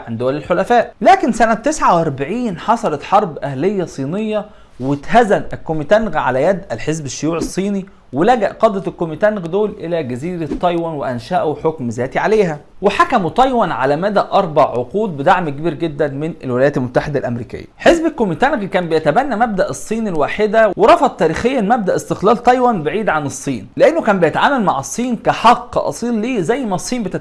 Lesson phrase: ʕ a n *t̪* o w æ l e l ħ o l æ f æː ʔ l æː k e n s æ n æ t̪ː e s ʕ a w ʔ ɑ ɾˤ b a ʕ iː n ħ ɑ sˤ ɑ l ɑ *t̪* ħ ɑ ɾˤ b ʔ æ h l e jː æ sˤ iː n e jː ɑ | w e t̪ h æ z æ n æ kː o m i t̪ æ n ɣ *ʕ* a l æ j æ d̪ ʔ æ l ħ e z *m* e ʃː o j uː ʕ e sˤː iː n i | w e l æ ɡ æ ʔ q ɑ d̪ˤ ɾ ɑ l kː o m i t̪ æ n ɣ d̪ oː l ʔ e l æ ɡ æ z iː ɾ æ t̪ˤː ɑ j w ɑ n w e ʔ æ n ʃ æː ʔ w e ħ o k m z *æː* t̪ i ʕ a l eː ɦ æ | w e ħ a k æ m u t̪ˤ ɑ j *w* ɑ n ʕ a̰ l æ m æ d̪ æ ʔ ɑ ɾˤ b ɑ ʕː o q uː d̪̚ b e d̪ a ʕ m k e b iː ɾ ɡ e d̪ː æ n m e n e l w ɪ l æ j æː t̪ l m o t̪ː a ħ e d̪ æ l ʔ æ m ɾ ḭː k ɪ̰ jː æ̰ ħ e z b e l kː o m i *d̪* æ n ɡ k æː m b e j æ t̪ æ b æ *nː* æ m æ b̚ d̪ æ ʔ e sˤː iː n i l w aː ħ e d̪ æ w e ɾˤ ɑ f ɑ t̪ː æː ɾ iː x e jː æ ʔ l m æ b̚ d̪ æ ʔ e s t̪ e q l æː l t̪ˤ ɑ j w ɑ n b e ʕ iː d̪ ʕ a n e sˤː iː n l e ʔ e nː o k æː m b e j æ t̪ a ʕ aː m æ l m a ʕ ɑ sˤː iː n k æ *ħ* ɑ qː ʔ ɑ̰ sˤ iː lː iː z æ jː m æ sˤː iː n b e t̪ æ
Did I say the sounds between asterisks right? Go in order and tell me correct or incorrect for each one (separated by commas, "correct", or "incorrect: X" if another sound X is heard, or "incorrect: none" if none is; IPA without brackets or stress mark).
incorrect: d̪, correct, correct, incorrect: b, correct, correct, incorrect: t̪, correct, correct